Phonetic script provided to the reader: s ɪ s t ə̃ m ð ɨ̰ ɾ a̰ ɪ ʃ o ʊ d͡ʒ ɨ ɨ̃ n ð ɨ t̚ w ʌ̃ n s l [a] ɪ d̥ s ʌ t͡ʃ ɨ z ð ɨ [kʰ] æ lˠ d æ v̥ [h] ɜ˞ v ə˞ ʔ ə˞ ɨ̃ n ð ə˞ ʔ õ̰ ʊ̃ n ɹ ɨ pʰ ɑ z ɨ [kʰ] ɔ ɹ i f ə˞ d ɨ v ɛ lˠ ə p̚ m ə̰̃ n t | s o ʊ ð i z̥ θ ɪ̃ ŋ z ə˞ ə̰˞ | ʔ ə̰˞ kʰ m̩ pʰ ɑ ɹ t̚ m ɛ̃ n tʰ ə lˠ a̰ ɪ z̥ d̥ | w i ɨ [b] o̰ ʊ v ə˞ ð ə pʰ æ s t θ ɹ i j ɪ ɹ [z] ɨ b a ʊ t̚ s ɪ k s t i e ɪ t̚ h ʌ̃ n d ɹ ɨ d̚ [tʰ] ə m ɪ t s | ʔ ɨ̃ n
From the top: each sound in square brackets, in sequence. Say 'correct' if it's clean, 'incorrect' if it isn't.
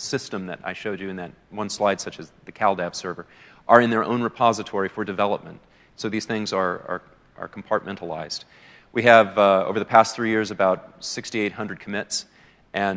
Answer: correct, correct, incorrect: s, incorrect: tʰ, incorrect: v, correct, incorrect: kʰ

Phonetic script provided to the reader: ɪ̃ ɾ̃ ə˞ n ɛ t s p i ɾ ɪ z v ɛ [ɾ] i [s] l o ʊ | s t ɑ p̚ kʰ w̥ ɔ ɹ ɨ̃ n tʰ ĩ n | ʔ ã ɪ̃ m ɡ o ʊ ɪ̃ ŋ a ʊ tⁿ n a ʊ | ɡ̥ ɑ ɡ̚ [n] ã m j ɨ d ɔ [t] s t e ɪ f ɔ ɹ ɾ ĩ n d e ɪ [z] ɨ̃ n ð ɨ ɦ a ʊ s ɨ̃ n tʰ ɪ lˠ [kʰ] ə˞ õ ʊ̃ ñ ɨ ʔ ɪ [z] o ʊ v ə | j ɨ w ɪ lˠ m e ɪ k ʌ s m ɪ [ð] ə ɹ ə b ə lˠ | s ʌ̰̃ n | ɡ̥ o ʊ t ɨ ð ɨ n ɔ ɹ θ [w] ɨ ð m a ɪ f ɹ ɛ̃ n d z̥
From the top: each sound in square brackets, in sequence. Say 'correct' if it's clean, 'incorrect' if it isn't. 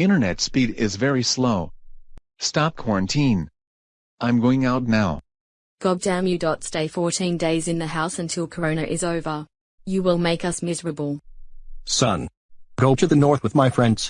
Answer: incorrect: ɹ, correct, incorrect: d, correct, correct, correct, correct, incorrect: z, correct

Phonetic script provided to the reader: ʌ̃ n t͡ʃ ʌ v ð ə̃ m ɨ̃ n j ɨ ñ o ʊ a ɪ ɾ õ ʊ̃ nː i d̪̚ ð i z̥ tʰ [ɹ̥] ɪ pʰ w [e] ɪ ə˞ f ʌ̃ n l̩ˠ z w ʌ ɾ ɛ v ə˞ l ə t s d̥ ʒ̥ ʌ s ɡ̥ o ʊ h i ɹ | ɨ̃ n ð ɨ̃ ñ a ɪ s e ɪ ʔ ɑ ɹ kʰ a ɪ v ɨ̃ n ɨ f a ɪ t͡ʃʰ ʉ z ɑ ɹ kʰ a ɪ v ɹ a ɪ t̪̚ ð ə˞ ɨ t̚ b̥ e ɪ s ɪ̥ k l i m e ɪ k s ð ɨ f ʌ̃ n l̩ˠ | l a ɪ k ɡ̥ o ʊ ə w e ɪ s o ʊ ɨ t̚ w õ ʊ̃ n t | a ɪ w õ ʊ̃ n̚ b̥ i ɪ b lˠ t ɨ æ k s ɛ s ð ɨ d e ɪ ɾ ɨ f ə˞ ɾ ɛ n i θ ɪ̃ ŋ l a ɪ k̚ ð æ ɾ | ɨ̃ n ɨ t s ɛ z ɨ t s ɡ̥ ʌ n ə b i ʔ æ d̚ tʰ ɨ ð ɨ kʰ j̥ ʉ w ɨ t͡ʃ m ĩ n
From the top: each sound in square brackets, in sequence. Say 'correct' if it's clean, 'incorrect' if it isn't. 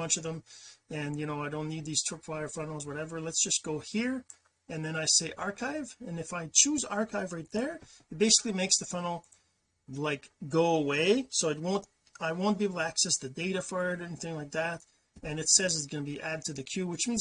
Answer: correct, incorrect: a

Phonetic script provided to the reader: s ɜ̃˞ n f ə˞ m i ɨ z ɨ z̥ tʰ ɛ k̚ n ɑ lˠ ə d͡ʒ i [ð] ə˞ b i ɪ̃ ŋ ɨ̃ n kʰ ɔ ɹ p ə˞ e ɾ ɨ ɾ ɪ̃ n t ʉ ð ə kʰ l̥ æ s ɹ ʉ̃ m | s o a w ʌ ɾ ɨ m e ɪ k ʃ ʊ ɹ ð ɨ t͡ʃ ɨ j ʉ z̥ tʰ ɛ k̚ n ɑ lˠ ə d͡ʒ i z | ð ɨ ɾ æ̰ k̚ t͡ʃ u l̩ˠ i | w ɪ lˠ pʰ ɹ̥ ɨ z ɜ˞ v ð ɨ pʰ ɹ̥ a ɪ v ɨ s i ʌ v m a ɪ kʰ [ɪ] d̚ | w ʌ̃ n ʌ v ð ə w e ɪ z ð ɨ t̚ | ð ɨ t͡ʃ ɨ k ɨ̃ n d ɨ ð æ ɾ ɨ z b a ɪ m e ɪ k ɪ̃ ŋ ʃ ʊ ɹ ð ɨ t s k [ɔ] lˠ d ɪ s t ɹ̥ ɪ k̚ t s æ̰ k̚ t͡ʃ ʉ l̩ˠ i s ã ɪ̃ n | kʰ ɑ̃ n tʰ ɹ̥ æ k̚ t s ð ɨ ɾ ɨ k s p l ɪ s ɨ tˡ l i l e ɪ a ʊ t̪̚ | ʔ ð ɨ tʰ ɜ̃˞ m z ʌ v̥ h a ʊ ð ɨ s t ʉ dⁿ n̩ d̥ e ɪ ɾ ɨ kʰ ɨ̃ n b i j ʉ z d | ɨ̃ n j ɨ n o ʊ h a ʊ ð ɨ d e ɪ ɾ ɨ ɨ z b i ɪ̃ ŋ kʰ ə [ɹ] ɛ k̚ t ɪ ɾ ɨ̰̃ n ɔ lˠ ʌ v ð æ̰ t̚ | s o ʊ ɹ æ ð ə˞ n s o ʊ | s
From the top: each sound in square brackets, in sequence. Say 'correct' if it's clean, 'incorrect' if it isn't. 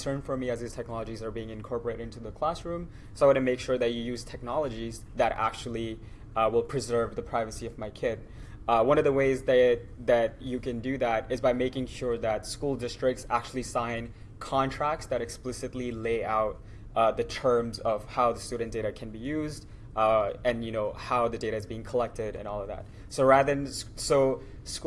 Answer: incorrect: z, correct, incorrect: u, incorrect: l

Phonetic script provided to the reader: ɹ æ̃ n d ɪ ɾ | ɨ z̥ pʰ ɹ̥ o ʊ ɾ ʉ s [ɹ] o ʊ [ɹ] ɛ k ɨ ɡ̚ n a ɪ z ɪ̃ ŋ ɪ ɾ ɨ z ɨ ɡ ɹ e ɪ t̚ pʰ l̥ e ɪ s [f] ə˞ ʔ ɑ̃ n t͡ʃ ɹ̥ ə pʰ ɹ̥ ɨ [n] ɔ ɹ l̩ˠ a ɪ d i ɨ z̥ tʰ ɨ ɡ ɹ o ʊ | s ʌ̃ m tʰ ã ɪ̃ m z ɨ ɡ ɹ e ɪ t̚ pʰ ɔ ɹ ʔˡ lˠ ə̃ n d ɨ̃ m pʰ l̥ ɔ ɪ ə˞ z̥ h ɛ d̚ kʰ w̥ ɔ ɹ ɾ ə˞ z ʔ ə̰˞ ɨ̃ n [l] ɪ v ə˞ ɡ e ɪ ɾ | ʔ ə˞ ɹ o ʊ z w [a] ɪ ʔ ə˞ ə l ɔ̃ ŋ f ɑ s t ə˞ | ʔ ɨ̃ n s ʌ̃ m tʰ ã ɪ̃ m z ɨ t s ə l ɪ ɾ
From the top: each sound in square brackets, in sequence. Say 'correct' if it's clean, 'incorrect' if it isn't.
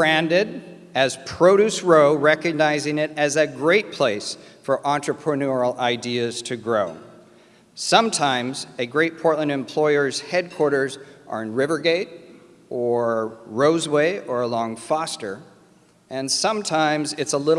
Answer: correct, correct, correct, correct, incorrect: ɹ, incorrect: e

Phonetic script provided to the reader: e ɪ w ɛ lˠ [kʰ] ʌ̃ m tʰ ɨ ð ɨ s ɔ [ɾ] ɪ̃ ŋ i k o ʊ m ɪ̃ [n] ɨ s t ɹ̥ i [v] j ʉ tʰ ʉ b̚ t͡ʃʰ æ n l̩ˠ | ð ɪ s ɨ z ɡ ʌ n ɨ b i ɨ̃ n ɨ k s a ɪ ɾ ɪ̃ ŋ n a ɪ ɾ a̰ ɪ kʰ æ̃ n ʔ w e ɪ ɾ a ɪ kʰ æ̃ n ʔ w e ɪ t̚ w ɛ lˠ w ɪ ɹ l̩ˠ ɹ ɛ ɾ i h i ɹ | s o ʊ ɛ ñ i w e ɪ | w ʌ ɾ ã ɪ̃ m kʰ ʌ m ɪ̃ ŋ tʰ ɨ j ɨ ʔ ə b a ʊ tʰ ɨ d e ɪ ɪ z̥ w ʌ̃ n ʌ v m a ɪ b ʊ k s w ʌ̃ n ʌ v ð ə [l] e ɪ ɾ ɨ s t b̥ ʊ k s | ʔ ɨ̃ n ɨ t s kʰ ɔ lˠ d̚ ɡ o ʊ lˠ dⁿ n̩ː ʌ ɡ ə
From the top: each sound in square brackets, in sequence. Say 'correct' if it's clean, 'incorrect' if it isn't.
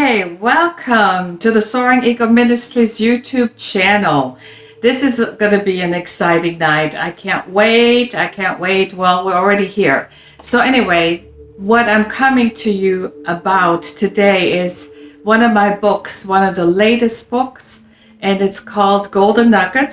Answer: correct, incorrect: ɹ, correct, incorrect: z, correct

